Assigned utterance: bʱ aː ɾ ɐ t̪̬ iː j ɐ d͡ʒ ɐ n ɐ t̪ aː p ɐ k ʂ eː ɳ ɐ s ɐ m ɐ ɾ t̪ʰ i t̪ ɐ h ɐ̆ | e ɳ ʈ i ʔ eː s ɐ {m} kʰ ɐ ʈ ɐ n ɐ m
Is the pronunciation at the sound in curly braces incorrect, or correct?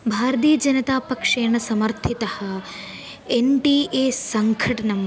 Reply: incorrect